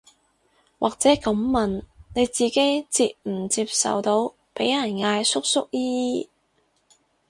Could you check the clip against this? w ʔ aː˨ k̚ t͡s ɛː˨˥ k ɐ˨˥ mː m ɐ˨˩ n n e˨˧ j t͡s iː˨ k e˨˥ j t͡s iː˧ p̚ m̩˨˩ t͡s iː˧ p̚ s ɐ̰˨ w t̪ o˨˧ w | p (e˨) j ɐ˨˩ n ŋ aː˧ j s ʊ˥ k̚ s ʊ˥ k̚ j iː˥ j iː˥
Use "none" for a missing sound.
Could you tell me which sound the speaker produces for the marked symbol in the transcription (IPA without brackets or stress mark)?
e˨˥